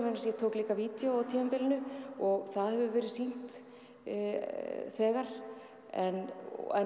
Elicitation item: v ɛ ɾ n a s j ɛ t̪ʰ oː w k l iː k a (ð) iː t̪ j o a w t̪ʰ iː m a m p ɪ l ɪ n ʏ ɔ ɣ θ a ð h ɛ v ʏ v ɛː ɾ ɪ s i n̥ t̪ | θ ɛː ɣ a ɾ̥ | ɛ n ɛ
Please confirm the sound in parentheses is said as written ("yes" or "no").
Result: no